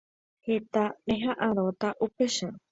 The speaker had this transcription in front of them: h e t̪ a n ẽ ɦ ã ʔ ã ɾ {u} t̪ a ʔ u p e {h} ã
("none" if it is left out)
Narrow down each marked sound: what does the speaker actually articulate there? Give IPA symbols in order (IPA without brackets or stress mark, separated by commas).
o, ʃ